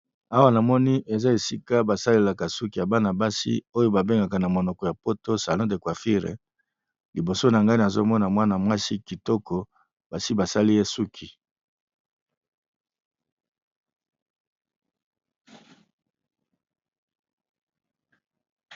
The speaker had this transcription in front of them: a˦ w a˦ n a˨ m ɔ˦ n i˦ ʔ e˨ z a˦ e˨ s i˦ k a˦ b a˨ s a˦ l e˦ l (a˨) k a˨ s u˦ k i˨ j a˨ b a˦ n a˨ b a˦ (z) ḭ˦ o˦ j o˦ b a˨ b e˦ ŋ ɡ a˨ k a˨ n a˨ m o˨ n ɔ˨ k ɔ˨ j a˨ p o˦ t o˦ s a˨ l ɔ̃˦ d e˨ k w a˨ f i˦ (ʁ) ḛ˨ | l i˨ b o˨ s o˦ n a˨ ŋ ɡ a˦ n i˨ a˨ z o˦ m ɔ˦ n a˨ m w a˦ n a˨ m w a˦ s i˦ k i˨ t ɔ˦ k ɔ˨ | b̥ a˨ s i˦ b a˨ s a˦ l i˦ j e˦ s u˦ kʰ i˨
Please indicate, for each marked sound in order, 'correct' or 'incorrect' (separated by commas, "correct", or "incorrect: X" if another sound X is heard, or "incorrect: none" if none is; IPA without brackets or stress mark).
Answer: correct, incorrect: s, correct